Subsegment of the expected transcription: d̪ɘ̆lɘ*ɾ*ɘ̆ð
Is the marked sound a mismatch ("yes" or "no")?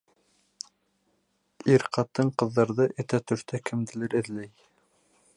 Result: no